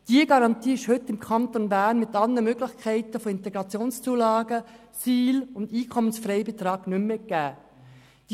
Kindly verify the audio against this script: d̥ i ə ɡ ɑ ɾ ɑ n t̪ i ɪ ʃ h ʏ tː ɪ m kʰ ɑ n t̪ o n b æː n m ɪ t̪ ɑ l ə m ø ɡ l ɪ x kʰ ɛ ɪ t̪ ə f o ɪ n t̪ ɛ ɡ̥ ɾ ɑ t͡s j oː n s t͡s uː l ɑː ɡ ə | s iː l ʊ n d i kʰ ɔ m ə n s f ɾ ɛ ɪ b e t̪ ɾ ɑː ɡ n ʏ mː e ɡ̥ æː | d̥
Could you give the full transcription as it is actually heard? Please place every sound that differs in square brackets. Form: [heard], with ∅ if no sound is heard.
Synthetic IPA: d̥ i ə ɡ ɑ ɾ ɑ n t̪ [iː] ɪ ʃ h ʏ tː ɪ m kʰ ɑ n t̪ o n b æː n m ɪ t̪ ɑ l ə m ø ɡ l ɪ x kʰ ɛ ɪ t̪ ə f o ɪ n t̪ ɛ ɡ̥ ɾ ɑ t͡s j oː n s t͡s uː l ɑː ɡ ə | s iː l ʊ n d [iː] kʰ ɔ m ə n s f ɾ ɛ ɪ b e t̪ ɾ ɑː ɡ n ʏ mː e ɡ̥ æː | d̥